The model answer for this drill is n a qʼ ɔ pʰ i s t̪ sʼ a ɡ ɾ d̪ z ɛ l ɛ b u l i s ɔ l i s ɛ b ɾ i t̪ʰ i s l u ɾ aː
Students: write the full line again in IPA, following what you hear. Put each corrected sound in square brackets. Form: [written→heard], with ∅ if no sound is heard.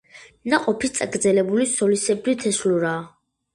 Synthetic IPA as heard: n a qʼ ɔ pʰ i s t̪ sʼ a ɡ ɾ d̪ z ɛ l ɛ b u l i s ɔ l i s ɛ b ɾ i t̪ʰ [i→ɛ] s l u ɾ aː